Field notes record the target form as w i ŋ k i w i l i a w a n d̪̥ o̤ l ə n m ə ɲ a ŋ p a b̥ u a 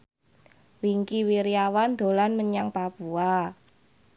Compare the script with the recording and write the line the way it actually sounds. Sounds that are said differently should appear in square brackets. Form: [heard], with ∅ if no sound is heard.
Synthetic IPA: w i ŋ k i w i [ɾ] i a w a n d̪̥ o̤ l [a] n m ə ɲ a ŋ p a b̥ u a